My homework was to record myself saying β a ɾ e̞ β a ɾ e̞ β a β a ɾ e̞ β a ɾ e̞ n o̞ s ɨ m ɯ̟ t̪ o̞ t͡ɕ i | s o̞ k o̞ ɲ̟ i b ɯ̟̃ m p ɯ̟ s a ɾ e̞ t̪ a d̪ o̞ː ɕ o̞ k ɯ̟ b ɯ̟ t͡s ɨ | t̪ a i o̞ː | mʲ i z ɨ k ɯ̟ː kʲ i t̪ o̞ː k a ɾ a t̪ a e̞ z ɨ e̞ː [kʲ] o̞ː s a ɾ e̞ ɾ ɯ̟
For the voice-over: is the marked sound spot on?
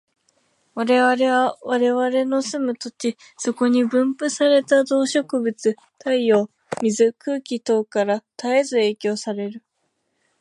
yes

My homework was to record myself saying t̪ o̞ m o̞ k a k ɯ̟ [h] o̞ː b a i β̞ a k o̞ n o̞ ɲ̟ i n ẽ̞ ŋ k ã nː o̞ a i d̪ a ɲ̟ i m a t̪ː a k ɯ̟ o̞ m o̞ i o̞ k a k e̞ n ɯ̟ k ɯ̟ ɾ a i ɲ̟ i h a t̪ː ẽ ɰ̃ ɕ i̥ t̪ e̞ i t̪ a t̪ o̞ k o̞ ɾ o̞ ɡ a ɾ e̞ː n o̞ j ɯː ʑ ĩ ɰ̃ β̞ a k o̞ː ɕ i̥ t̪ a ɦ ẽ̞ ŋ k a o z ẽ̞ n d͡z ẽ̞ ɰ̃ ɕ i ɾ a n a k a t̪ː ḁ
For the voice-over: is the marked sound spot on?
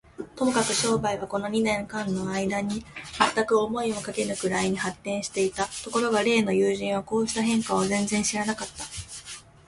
no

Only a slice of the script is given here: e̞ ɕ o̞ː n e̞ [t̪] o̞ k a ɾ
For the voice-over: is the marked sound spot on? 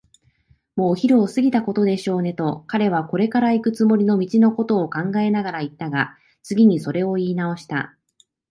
yes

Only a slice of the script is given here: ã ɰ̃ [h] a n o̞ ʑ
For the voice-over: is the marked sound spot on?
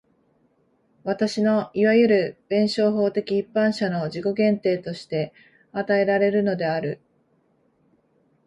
no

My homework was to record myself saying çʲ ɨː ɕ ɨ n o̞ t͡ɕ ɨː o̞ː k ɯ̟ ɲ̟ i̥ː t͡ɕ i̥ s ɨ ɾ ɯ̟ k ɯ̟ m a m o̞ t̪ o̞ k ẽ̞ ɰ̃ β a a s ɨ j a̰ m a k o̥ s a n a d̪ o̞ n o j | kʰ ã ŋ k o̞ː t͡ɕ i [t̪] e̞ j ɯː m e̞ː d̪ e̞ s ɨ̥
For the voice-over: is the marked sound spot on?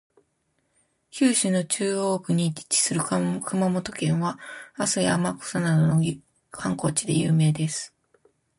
no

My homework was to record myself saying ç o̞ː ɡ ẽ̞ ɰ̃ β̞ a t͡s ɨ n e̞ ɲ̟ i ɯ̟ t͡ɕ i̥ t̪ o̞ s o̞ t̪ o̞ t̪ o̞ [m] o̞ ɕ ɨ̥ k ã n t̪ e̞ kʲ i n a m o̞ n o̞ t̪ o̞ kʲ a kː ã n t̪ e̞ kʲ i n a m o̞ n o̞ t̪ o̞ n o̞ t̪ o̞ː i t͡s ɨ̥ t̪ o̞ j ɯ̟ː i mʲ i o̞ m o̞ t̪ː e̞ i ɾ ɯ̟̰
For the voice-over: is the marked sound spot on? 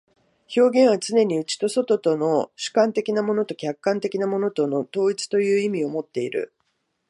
no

